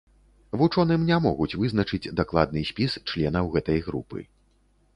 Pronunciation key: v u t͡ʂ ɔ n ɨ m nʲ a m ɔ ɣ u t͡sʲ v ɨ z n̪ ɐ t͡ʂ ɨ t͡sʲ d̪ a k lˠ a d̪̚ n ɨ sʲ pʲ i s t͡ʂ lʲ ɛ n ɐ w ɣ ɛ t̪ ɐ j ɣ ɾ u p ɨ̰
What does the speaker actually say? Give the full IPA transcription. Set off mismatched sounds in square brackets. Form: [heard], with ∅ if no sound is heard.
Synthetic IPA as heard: v u t͡ʂ ɔ n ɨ m nʲ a m ɔ ɣ u t͡sʲ v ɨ z n̪ ɐ t͡ʂ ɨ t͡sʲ d̪ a k lˠ a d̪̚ n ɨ sʲ pʲ i s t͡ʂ lʲ ɛ n ɐ w ɣ ɛ t̪ ɐ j ɣ ɾ u p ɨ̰